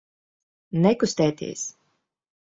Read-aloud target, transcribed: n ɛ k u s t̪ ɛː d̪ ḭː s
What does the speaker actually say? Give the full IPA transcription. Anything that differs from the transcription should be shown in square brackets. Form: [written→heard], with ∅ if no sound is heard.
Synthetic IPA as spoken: n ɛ k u s t̪ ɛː [d̪→t̪] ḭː s